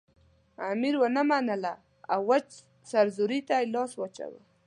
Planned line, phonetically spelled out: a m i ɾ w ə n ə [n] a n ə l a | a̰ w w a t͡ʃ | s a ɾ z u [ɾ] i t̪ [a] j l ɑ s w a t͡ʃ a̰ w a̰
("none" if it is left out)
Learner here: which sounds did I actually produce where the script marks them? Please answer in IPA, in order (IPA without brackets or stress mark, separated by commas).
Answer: m, ɾ, a